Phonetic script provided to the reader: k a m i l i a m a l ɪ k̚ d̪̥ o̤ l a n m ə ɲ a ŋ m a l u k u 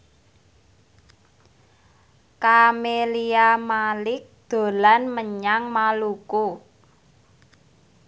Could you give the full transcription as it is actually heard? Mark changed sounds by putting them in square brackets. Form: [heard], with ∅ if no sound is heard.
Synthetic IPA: k a m [e] l i a m a l ɪ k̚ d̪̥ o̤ l a n m ə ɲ a ŋ m a l u k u